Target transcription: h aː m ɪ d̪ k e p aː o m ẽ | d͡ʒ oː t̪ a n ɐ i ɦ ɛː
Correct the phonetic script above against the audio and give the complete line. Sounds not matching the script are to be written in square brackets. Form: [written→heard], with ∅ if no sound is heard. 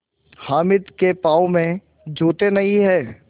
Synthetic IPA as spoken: h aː m ɪ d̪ k e p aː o m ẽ | d͡ʒ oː t̪ [a→e] n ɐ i ɦ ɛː